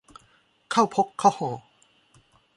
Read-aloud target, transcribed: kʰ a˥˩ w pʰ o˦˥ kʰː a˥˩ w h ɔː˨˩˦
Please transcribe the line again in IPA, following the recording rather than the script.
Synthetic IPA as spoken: kʰ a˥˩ w pʰ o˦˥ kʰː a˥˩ w h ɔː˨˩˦